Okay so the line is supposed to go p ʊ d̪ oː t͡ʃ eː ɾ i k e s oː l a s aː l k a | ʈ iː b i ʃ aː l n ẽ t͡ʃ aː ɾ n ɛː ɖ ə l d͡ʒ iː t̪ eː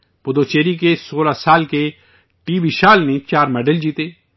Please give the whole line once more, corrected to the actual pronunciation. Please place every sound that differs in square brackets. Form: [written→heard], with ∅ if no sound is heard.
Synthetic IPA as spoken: p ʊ d̪ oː t͡ʃ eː ɾ i k e s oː l a s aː l k [a→e] | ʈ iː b i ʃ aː l n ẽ t͡ʃ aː ɾ [n→m] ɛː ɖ ə l d͡ʒ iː t̪ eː